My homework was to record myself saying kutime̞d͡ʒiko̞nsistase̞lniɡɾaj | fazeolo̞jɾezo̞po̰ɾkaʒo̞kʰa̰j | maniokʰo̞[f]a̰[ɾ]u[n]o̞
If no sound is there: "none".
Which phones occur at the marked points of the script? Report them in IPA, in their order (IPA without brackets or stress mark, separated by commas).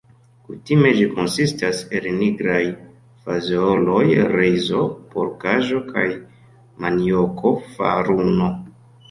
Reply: f, ɾ, n